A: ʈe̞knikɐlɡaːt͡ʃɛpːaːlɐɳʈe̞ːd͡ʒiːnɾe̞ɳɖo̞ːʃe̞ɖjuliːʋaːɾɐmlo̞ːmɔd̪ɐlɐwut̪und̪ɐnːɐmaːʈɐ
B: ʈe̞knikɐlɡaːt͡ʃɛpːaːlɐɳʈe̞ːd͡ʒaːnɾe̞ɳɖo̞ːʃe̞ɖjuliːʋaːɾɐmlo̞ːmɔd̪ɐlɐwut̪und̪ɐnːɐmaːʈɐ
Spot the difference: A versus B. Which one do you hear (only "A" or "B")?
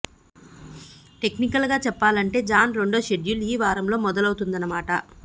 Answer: B